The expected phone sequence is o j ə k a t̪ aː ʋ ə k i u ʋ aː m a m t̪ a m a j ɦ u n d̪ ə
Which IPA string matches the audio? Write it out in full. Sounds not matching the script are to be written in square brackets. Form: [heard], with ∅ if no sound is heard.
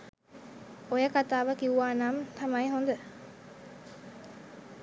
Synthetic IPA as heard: o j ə k a t̪ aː ʋ ə k i u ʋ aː [n] a m t̪ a m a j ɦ [o] n d̪ ə